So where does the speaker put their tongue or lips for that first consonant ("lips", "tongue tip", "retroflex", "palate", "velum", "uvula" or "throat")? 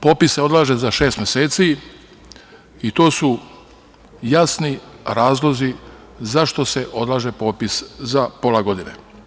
lips